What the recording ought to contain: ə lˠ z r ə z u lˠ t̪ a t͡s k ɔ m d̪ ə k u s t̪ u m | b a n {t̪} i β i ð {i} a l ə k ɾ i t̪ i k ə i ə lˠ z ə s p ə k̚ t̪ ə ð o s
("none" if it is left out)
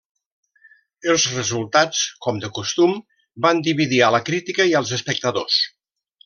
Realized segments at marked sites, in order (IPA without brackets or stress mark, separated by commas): d̪, i